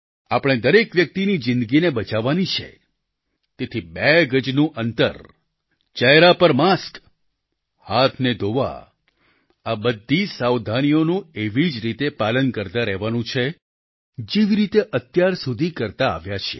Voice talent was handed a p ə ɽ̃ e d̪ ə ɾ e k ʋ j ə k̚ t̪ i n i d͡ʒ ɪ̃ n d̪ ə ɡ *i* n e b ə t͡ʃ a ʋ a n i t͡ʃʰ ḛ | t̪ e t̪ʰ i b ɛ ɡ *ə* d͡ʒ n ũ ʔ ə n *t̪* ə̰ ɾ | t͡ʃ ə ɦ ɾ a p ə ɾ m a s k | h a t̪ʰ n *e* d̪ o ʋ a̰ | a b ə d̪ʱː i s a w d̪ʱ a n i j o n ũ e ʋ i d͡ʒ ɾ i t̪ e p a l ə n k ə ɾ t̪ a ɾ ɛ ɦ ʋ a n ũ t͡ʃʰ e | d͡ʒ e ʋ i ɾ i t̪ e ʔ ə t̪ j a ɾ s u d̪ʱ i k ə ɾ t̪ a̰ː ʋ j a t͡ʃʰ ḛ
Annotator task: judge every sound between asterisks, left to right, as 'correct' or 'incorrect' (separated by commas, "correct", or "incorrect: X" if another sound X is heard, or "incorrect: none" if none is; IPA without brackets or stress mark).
correct, correct, correct, correct